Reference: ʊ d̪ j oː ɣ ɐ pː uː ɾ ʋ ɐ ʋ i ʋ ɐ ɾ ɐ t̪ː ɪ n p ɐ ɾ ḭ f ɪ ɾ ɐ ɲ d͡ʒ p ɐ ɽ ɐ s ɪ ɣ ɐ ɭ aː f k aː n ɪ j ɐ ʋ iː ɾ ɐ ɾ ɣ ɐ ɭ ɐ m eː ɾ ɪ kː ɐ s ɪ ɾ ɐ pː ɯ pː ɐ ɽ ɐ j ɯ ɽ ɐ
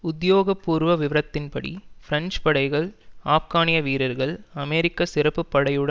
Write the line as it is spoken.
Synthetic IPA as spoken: ʊ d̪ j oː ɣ ɐ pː uː ɾ ʋ ɐ ʋ ɪ ʋ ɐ ɾ ɐ t̪ː ɪ n p ɐ ɽ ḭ f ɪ ɾ ɐ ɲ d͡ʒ p ɐ ɽ ɐ ɪ ɣ ɐ ɭ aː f k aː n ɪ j ɐ ʋ iː ɾ ɐ ɾ ɣ ɐ ɭ ɐ m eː ɾ ɪ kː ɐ s ɪ ɾ ɐ pː ɯ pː ɐ ɽ ɐ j ɯ ɽ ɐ

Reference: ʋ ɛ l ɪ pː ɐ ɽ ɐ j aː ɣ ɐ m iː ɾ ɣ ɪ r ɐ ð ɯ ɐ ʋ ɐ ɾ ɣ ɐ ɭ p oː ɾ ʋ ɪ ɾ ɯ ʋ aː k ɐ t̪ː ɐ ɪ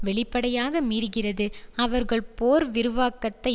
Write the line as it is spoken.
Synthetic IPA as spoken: ʋ ɛ ɭ ɪ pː ɐ ɽ ɐ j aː ɣ ɐ m iː ɾ ɣ ɪ r ɐ ð ɯ ɐ ʋ ɐ ɾ ɣ ɐ ɭ p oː ɾ ʋ ɪ ɾ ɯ ʋ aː k ɐ t̪ː ɐ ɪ

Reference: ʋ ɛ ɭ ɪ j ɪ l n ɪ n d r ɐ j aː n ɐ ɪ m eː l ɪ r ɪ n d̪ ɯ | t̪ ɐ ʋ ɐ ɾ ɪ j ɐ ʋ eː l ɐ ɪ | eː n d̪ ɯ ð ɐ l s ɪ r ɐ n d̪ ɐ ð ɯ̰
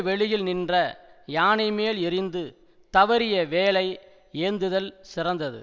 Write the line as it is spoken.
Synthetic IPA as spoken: ʋ ɛ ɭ ɪ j ɪ l n ɪ n d r ɐ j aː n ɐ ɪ m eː l ɪ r ɪ n d̪ ɯ | t̪ ɐ ʋ ɐ ɾ ɪ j ɐ ʋ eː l ɐ ɪ | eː n d̪ ɯ ð ɐ l s ɪ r ɐ n d̪ ɐ ð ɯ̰

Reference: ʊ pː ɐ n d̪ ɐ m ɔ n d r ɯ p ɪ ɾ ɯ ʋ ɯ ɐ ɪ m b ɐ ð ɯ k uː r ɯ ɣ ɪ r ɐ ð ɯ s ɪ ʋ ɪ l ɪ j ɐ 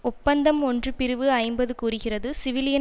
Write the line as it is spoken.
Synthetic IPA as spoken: ʊ pː ɐ n d̪ ɐ m ɔ n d r ɯ p ɪ ɾ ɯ ʋ ɯ ɐ ɪ m b ɐ ð ɯ k uː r ɯ ɣ ɪ r ɐ ð ɯ s ɪ ʋ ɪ l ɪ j ɐ

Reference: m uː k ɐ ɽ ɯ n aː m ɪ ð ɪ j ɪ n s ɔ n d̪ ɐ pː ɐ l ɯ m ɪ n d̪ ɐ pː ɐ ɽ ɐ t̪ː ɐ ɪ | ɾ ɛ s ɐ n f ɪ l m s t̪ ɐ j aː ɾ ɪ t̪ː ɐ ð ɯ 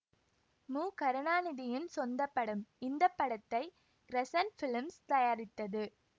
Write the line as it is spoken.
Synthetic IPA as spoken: m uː k ɐ ɾ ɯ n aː n ɪ ð ɪ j ɪ n s ɔ n d̪ ɐ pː ɐ ɽ ɯ m ɪ n d̪ ɐ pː ɐ ɽ ɐ t̪ː ɐ ɪ | ɾ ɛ s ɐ n f ɪ l m s t̪ ɐ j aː ɾ ɪ t̪ː ɐ ð ɯ

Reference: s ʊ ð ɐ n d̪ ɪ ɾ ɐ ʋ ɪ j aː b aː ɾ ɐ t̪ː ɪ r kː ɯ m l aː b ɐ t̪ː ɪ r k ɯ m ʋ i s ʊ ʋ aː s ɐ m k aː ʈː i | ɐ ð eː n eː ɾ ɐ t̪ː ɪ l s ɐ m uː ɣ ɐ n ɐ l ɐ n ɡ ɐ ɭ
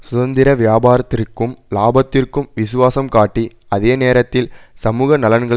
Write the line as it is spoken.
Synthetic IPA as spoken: s ʊ ð ɐ n d̪ ɪ ɾ ɐ ʋ ɪ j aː b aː ɾ ɐ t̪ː ɪ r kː ɯ m l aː b ɐ t̪ː ɪ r k ɯ m ʋ ɪ s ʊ ʋ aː s ɐ m k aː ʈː i | ɐ ð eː n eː ɾ ɐ t̪ː ɪ l s ɐ m uː ɣ ɐ n ɐ l ɐ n ɡ ɐ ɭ

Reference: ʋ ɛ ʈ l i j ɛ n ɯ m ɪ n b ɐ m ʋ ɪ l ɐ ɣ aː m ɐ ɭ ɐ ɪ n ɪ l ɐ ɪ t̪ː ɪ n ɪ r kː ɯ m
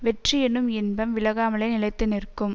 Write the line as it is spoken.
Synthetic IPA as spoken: ʋ ɛ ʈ r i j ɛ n ɯ m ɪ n b ɐ m ʋ ɪ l ɐ ɣ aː m ɐ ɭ ɐ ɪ n ɪ l ɐ ɪ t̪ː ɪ n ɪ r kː ɯ m

